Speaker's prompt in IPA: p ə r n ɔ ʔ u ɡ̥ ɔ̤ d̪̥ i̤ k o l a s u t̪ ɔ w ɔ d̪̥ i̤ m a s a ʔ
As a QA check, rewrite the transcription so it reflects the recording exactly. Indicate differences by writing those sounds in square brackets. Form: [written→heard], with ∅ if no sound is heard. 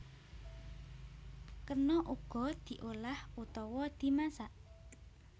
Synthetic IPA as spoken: [p→k] ə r n ɔ ʔ u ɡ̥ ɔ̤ d̪̥ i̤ [k→ʔ] o l a [s→h] u t̪ ɔ w ɔ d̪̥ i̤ m a s a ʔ